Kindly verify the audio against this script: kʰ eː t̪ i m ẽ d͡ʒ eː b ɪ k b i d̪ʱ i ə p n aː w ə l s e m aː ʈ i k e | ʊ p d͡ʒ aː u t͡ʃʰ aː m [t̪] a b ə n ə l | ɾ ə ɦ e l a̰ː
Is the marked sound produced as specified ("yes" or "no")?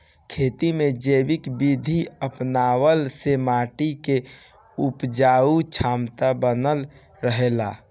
yes